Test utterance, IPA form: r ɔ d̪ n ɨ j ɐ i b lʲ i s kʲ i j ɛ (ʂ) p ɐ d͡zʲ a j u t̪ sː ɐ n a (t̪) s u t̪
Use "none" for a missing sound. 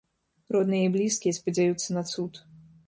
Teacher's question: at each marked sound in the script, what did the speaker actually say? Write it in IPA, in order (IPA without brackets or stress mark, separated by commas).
s, t̪